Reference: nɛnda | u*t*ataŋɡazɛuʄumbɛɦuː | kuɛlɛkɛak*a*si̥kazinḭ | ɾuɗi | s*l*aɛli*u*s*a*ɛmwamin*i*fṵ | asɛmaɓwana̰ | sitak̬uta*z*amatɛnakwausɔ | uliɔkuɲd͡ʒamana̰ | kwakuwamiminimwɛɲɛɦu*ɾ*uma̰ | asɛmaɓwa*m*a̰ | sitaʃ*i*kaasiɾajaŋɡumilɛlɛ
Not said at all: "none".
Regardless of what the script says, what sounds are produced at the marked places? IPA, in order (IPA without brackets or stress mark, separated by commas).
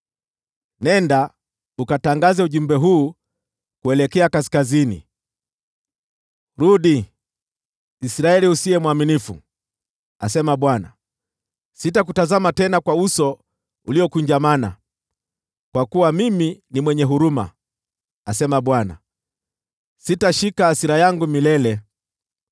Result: k, a, ɾ, u, i, i, z, ɾ, n, i